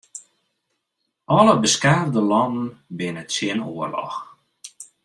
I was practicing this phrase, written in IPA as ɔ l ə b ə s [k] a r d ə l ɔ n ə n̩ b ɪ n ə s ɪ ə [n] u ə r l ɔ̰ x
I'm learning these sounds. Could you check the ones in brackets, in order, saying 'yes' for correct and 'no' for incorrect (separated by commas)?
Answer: yes, yes